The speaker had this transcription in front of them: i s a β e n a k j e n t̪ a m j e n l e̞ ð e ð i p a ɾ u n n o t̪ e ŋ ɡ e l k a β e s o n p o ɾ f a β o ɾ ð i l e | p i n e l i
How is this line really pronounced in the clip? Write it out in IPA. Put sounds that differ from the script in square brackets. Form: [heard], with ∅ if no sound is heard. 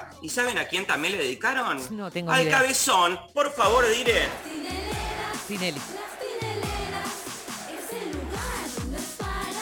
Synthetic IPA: i s a β e n a k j e n t̪ a m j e n l e̞ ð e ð i [k] a ɾ [o] n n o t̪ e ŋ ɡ [a] l k a β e s o n p o ɾ f a β o ɾ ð i [ɾ] e | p i n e l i